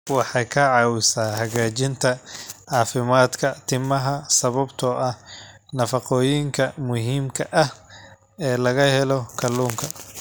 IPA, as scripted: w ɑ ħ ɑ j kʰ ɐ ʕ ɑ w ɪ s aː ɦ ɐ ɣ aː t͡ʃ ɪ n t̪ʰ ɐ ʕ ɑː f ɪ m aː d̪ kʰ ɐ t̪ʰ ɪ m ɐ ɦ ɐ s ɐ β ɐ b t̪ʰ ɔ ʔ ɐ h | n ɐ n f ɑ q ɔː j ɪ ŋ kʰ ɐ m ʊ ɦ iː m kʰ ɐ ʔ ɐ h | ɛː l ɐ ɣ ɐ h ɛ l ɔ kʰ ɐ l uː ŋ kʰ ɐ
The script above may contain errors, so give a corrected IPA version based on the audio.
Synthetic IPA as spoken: w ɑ ħ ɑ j kʰ ɐ ʕ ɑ w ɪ s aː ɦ ɐ ɣ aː t͡ʃ ɪ n t̪ʰ ɐ ʕ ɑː f ɪ m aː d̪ kʰ ɐ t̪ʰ ɪ m ɐ ɦ ɐ s ɐ β ɐ b t̪ʰ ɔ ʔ ɐ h | n ɐ f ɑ q ɔː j ɪ ŋ kʰ ɐ m ʊ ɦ iː m kʰ ɐ ʔ ɐ h | ɛː l ɐ ɣ ɐ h ɛ l ɔ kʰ ɐ l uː ŋ kʰ ɐ